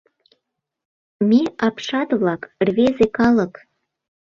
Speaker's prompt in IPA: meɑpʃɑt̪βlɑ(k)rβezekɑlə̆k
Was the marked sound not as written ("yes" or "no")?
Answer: no